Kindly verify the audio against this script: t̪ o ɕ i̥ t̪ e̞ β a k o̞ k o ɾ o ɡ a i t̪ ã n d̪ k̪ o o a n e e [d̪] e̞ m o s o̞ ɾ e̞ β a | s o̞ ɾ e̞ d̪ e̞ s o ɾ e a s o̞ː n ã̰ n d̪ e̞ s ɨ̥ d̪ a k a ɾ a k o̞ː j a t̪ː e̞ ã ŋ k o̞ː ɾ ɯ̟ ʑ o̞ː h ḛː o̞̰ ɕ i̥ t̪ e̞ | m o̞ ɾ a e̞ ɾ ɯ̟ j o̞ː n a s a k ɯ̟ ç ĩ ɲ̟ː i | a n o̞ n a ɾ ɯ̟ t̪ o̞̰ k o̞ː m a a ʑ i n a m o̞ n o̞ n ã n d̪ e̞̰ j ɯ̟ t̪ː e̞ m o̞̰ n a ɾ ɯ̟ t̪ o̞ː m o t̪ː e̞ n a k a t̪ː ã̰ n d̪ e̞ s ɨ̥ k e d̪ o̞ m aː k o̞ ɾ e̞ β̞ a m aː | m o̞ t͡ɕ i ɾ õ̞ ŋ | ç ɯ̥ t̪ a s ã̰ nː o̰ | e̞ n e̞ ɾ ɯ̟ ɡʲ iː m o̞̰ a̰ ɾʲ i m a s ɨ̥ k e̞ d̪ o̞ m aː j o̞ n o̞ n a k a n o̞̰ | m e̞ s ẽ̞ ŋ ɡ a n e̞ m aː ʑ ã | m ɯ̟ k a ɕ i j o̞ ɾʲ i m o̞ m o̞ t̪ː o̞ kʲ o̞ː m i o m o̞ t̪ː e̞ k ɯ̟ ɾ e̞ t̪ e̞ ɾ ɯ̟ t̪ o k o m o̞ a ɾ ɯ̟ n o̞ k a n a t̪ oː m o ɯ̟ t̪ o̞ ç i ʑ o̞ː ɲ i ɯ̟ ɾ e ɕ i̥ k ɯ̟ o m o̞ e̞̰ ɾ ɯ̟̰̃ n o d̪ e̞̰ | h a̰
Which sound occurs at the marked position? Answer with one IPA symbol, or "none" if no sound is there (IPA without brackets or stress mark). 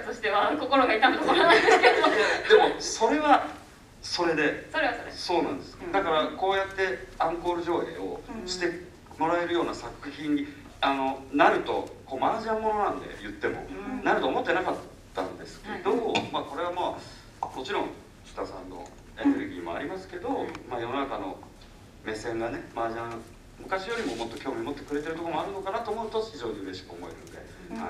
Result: d̪